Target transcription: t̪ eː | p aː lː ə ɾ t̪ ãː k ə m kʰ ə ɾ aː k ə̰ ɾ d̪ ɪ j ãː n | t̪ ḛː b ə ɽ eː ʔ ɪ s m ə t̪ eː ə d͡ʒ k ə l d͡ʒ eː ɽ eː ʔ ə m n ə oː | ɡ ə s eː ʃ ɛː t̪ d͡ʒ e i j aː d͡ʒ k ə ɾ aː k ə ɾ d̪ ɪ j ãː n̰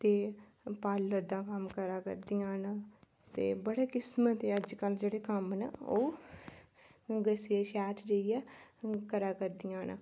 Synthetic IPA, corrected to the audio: t̪ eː | p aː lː ə ɾ d̪ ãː k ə m k ə ɾ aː k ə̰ ɾ d̪ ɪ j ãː n | t̪ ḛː b ə ɽ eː k ɪ s m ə t̪ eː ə d͡ʒ k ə l d͡ʒ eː ɽ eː k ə m n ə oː | ɡ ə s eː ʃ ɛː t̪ d͡ʒ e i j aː k ə ɾ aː k ə ɾ d̪ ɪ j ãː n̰

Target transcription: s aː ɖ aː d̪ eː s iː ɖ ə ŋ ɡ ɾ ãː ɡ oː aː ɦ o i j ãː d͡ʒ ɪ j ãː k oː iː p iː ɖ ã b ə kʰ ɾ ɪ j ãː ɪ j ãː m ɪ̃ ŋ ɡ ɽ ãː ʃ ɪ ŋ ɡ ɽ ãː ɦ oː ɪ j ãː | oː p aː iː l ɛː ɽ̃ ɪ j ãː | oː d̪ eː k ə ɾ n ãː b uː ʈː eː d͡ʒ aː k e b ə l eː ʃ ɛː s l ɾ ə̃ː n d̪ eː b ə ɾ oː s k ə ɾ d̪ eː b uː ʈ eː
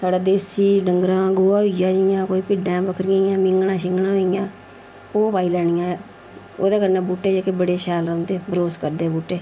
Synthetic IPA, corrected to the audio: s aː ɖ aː d̪ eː s iː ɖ ə ŋ ɡ ɾ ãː ɡ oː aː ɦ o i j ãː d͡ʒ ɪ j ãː k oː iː p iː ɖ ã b ə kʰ ɾ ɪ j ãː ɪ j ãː m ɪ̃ ŋ ɡ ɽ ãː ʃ ɪ ŋ ɡ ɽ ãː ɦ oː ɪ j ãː | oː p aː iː l ɛː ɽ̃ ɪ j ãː | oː d̪ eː k ə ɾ n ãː b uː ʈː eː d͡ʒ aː k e b ə ɽ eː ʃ ɛː l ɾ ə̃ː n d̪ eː b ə ɾ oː s k ə ɾ d̪ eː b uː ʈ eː

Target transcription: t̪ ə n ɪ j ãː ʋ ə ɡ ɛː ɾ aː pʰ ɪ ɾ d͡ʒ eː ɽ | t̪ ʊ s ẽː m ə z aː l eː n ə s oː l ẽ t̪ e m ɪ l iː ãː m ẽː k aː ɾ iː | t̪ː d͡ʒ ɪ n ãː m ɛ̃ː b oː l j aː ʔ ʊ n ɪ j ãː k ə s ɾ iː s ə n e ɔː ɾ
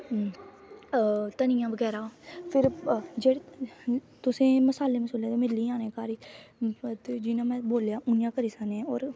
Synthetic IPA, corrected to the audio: t̪ ə n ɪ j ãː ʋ ə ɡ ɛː ɾ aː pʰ ɪ ɾ d͡ʒ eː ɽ | t̪ ʊ s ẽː m ə s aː l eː m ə s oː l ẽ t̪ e m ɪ l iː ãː n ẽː k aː ɾ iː | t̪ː d͡ʒ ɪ n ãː m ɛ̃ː b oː l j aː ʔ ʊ n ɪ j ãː k ə ɾ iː s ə n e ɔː ɾ

